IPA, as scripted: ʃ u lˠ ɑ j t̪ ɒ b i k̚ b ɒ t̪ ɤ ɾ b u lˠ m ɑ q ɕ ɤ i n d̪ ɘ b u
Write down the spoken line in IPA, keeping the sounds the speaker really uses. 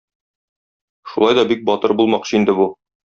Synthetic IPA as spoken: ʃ u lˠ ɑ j d̪ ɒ b i k̚ b ɒ t̪ ɤ ɾ b u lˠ m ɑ q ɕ ɤ i n d̪ ɘ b u